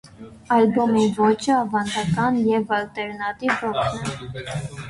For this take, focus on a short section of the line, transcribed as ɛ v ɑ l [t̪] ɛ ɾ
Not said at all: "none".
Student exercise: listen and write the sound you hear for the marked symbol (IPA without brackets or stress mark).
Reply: t̪